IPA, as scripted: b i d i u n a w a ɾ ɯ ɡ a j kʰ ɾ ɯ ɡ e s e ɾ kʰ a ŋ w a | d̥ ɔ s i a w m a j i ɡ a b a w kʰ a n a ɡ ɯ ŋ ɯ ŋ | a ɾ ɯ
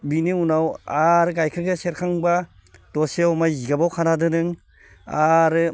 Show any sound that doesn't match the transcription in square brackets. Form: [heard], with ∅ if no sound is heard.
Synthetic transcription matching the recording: b i [n] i u n a w a ɾ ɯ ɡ a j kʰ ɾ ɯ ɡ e s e ɾ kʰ a ŋ [b] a | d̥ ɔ s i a w m a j i ɡ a b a w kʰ a n a [d] ɯ [n] ɯ ŋ | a ɾ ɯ